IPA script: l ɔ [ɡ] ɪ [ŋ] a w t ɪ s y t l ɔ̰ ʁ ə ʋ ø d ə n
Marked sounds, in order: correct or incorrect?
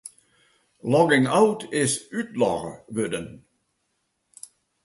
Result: correct, correct

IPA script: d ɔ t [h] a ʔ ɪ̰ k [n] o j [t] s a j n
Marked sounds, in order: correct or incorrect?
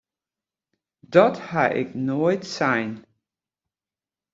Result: correct, correct, correct

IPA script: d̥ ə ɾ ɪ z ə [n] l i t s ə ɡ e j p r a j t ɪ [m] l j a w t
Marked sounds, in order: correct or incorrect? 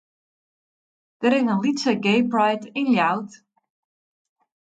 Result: correct, incorrect

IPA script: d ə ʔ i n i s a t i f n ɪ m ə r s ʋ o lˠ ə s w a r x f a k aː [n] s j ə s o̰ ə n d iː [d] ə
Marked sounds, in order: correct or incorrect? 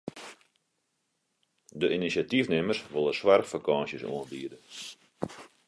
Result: correct, correct

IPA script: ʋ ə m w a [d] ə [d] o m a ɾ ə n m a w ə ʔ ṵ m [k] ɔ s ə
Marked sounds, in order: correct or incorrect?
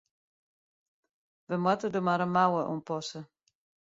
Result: incorrect, correct, incorrect

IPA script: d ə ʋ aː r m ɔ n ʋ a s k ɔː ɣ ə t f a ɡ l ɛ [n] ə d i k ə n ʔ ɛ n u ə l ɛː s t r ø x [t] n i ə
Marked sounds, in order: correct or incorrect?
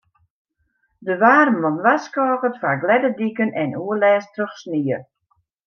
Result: incorrect, incorrect

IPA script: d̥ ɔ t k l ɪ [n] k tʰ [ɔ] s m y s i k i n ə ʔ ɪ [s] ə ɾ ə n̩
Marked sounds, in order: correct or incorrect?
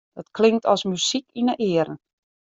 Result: incorrect, correct, incorrect

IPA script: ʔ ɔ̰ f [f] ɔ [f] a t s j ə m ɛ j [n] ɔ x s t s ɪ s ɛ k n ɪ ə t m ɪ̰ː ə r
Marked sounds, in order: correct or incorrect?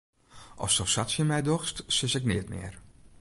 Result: incorrect, incorrect, incorrect

